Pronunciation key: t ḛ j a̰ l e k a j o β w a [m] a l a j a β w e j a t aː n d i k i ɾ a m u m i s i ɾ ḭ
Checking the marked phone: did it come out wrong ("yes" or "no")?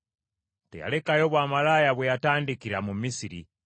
no